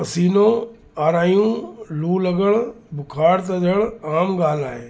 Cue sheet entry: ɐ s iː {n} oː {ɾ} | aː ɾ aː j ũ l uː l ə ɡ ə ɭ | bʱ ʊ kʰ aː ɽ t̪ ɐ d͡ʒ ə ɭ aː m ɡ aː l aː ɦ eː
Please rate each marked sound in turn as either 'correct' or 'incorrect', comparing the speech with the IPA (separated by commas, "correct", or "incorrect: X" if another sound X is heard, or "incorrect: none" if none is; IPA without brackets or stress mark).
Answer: correct, incorrect: none